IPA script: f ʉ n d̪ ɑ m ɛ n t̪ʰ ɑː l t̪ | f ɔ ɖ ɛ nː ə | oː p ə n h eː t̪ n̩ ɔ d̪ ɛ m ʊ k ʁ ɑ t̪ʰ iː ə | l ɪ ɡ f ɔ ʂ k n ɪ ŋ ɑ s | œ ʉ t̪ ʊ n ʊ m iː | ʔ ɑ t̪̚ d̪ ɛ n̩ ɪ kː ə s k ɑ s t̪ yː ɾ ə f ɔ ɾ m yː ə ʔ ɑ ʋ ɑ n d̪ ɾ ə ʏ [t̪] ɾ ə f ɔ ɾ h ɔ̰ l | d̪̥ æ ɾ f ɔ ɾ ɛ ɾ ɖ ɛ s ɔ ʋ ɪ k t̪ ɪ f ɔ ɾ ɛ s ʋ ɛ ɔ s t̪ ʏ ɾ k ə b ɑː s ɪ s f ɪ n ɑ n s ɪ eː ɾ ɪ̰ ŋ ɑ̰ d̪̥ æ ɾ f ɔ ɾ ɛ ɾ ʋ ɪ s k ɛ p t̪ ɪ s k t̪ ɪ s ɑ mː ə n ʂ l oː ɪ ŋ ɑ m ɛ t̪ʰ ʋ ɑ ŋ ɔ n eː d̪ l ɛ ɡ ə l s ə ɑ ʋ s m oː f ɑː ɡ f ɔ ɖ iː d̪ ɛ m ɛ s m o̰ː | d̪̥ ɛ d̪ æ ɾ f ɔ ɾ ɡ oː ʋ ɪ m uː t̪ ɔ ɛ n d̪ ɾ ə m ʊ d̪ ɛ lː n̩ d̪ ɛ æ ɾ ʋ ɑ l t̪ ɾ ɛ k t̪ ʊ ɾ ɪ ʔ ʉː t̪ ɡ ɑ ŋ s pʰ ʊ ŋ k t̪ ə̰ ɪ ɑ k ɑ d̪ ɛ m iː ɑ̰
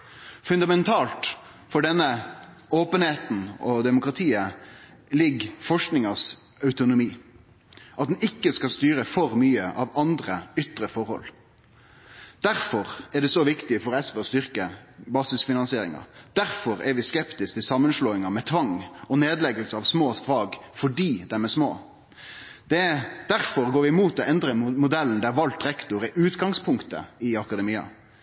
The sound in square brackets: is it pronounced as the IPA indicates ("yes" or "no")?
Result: yes